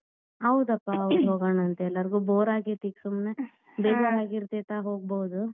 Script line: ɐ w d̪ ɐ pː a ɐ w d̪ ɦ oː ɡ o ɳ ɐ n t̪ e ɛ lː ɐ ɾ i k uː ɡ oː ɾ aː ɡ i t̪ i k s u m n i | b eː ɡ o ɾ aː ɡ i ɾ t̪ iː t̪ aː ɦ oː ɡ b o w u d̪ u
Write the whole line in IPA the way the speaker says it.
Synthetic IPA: ɐ w d̪ ɐ pː a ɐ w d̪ ɦ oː ɡ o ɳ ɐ n t̪ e ɛ lː ɐ ɾ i ɡ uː b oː ɾ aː ɡ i t̪ i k s u m n e | b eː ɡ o ɾ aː ɡ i ɾ t̪ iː t̪ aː ɦ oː ɡ b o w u d̪ u